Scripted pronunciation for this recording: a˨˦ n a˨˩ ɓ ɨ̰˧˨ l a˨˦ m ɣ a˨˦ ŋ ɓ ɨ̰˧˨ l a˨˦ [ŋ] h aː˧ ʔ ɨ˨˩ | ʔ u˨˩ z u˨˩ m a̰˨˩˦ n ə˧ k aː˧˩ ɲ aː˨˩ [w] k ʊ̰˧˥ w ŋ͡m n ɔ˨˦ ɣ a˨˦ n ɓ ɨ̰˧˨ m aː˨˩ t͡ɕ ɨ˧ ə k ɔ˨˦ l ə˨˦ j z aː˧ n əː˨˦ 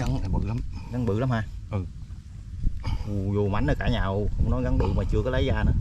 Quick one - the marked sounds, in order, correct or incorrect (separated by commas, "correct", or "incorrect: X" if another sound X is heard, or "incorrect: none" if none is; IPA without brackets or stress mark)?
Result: incorrect: m, correct